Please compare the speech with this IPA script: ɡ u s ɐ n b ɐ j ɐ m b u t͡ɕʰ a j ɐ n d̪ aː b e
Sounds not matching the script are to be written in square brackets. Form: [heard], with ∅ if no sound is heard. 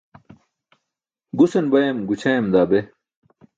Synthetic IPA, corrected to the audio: ɡ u s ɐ n b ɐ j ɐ m [ɡ] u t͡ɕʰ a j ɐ [m] d̪ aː b e